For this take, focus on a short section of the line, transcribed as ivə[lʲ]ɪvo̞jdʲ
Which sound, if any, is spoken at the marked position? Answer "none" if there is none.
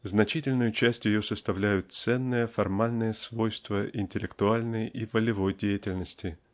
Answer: lʲ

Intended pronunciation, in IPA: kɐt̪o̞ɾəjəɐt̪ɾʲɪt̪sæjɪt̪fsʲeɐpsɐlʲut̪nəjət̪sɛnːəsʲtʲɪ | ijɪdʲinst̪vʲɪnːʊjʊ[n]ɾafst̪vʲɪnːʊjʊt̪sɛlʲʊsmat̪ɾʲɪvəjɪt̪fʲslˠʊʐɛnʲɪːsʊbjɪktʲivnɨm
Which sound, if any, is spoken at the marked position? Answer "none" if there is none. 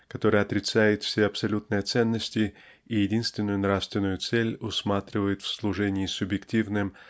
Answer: n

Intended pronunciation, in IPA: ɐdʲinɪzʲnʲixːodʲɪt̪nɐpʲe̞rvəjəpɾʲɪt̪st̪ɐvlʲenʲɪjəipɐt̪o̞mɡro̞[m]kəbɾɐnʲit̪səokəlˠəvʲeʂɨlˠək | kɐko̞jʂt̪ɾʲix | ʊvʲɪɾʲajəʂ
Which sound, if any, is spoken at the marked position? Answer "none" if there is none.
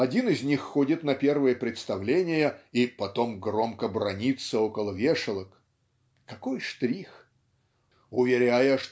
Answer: m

